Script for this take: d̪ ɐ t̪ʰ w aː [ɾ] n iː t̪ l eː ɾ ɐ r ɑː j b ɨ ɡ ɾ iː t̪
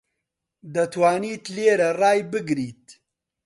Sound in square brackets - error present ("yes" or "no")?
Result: yes